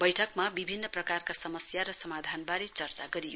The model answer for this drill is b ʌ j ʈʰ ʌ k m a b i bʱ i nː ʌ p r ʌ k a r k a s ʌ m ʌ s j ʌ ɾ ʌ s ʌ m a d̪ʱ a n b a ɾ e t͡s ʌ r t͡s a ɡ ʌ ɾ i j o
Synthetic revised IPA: b ʌ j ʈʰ ʌ k m a b i bʱ i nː ʌ p r ʌ k a r k a s ʌ m ʌ s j a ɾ ʌ s ʌ m a d̪ʱ a n b a ɾ e t͡s ʌ r t͡s a ɡ ʌ ɾ i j o

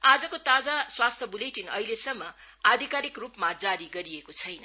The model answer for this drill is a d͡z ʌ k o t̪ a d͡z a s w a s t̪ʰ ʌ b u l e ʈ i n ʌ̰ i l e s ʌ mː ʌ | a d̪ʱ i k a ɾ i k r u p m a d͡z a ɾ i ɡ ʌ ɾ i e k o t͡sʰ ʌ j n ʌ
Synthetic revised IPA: a d͡z ʌ k o t̪ a d͡z a s w a s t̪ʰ ʌ b u l e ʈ i n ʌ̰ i l e s ʌ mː ʌ | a d̪ʱ i k a ɾ i k r u p m a d͡z a ɾ i ɡ ʌ ɾ i e k o t͡sʰ ʌ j n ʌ

